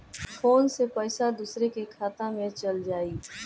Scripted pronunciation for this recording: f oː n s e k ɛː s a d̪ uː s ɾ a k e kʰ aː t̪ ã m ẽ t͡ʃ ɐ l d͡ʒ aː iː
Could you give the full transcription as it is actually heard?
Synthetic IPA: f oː n s e p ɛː s a d̪ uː s ɾ e k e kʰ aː t̪ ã m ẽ t͡ʃ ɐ l d͡ʒ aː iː